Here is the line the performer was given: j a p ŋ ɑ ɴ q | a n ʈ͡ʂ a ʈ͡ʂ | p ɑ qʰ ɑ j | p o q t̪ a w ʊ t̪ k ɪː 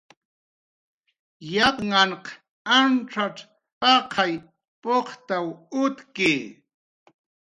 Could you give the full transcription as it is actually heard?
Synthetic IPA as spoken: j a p ŋ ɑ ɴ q | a n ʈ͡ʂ a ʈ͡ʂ | p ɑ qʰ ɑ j | p o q t̪ a w ʊ t̪ k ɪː